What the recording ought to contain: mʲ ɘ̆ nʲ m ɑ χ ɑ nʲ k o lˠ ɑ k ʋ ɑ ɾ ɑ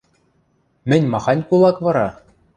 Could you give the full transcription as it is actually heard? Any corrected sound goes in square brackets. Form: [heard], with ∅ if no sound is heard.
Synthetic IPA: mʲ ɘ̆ nʲ m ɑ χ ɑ nʲ k [u] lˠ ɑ k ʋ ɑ ɾ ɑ